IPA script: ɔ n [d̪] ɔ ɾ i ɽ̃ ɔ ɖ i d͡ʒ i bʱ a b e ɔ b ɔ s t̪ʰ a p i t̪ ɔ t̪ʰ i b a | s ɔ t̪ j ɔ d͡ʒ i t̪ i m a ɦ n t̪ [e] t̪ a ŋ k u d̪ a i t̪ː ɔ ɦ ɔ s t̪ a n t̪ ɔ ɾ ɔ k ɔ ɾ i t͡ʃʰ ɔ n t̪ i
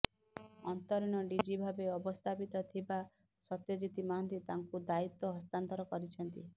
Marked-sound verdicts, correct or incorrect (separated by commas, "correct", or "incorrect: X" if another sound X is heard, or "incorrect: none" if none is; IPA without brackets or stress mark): incorrect: t̪, incorrect: i